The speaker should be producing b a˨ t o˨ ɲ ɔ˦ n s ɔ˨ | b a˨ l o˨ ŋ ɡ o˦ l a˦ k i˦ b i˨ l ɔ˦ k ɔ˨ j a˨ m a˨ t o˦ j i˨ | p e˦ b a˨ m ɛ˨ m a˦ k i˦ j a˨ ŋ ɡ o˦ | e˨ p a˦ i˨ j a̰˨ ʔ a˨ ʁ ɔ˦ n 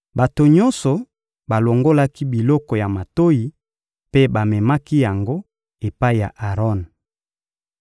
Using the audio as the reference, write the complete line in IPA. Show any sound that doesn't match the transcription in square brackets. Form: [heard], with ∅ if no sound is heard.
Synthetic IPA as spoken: b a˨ t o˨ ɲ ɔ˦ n s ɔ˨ | b a˨ l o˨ ŋ ɡ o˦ l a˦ k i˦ b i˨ l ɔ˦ k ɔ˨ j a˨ m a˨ t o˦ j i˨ | p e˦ b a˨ m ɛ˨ m a˦ k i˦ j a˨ ŋ ɡ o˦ | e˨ p a˦ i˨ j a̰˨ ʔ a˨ ʁ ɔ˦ n